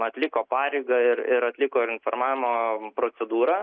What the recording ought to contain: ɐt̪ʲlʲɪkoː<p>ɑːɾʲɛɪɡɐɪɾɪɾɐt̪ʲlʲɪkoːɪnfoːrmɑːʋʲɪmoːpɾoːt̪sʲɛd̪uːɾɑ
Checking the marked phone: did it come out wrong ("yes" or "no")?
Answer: no